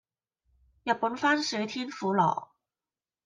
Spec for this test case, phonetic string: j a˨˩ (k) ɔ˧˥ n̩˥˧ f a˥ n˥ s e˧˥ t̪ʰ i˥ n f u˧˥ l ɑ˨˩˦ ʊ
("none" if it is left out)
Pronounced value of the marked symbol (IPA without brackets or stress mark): p